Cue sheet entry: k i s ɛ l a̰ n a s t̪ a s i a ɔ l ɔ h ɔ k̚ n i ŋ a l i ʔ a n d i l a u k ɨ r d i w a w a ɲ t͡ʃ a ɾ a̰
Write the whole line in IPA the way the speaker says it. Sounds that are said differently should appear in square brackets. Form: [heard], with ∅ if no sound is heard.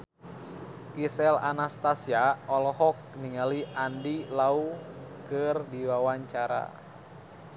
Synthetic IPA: k i s ɛ l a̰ n a s t̪ a s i a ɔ l ɔ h ɔ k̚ n i ŋ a l i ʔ a n d i l a u k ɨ r d i w a w a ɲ t͡ʃ a ɾ a̰